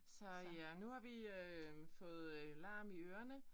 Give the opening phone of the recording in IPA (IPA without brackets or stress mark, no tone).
s